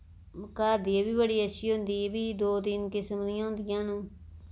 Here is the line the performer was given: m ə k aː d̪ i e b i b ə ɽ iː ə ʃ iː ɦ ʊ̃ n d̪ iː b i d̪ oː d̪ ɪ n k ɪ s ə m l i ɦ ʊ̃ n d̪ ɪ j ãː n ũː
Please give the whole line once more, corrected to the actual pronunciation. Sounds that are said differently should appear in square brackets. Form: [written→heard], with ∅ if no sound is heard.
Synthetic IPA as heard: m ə k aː d̪ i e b [i→iː] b ə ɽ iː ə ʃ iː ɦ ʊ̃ n d̪ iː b [i→iː] d̪ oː d̪ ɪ n k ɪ s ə m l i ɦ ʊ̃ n d̪ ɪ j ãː n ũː